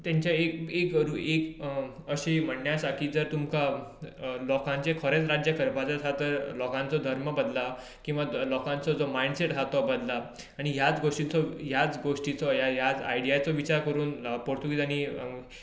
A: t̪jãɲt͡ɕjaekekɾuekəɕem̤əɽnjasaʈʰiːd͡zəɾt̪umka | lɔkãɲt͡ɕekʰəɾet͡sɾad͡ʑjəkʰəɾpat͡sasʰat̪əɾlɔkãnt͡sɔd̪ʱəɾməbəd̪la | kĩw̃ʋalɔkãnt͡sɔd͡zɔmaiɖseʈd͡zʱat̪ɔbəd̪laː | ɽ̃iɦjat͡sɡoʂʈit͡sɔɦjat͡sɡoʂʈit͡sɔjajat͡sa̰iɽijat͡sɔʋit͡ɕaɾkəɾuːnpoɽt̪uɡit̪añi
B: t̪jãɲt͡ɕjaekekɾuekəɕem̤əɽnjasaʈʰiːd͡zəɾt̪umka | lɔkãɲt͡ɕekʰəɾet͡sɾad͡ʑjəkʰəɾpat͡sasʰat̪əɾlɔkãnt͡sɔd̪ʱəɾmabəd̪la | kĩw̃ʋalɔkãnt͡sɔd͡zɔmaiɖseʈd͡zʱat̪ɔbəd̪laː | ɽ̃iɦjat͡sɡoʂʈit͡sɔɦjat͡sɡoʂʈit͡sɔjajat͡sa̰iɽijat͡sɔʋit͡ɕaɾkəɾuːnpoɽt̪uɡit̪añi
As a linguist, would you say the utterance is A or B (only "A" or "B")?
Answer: A